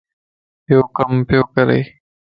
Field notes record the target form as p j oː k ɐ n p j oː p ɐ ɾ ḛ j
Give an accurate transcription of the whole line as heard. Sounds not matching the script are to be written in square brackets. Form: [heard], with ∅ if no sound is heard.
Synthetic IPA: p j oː k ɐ [m] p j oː [k] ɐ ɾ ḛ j